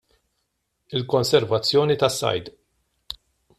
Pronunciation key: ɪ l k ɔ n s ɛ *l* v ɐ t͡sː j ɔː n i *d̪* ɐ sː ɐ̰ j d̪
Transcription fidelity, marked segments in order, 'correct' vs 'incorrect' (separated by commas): incorrect, incorrect